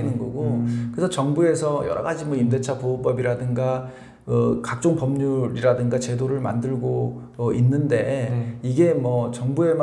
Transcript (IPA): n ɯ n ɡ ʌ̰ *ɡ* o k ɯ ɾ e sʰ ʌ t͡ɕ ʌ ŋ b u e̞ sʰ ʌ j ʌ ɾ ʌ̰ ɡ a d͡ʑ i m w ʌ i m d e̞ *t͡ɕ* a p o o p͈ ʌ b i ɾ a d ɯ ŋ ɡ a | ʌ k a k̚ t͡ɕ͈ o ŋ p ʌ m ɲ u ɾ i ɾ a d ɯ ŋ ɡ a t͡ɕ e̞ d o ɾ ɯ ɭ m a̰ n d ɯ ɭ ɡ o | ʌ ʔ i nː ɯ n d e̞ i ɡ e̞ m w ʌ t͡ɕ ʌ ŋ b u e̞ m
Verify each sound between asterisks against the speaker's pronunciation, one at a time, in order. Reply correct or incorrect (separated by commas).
correct, incorrect